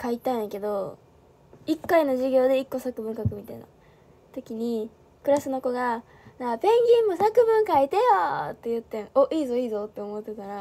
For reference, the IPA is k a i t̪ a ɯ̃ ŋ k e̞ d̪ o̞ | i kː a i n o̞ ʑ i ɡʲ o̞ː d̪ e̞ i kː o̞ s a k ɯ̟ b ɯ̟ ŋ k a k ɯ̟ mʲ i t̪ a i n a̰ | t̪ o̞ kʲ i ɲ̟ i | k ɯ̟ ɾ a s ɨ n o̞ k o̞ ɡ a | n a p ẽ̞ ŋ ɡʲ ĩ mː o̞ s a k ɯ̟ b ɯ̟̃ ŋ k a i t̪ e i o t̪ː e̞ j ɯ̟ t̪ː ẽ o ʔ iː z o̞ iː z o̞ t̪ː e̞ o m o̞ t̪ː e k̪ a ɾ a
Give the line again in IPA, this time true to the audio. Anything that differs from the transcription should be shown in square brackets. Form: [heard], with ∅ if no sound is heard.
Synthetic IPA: k a i t̪ a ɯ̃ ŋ k e̞ d̪ o̞ | i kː a i n o̞ ʑ i ɡʲ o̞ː d̪ e̞ i kː o̞ s a k ɯ̟ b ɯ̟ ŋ k a k ɯ̟ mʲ i t̪ a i n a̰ | t̪ o̞ kʲ i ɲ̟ i | k ɯ̟ ɾ a s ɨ n o̞ k o̞ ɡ a | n a p ẽ̞ ŋ ɡʲ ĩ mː o̞ s a k ɯ̟ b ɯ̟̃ ŋ k a i t̪ e [j] o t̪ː e̞ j ɯ̟ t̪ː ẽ o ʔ iː z o̞ iː z o̞ t̪ː e̞ o m o̞ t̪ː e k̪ a ɾ a

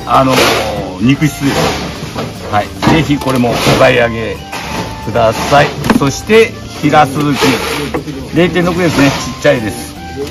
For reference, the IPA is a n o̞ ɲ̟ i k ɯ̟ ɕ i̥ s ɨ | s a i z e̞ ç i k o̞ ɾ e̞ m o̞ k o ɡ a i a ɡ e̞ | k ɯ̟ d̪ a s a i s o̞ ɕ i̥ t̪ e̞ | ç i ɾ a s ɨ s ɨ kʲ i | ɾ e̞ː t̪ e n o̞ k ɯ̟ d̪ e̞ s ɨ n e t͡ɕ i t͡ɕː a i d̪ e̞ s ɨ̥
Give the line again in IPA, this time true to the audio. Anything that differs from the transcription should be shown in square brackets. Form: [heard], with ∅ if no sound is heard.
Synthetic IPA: a n o̞ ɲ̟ i k ɯ̟ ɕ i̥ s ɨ | [h] a i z e̞ ç i k o̞ ɾ e̞ m o̞ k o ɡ a i a ɡ e̞ | k ɯ̟ d̪ a s a i s o̞ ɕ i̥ t̪ e̞ | ç i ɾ a s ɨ [z] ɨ kʲ i | ɾ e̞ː t̪ e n o̞ k ɯ̟ d̪ e̞ s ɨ n e t͡ɕ i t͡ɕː a i d̪ e̞ s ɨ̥

